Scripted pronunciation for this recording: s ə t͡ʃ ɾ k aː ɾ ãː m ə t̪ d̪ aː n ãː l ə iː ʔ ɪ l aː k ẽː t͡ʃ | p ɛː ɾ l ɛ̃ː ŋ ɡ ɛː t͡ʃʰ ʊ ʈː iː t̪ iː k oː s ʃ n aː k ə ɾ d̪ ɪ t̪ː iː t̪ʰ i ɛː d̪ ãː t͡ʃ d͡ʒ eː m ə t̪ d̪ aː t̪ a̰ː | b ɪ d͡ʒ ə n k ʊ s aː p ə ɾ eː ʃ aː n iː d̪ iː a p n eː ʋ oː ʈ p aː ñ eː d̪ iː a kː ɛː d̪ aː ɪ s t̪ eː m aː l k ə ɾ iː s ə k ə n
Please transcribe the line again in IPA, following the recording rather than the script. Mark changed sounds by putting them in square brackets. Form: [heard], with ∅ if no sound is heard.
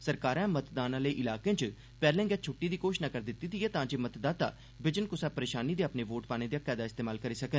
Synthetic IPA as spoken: s ə [∅] ɾ k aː ɾ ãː m ə t̪ d̪ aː n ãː l ə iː ʔ ɪ l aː k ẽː t͡ʃ | p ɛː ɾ l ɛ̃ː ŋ ɡ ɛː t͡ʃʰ ʊ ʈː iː [d̪] iː k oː [ʃ] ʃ n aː k ə ɾ d̪ ɪ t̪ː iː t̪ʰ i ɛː [t̪] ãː [∅] d͡ʒ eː m ə t̪ d̪ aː t̪ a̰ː | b ɪ d͡ʒ ə n k ʊ s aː p ə ɾ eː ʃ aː n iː d̪ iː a p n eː ʋ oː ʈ p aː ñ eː d̪ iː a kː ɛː d̪ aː ɪ s t̪ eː m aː l k ə ɾ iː s ə k ə n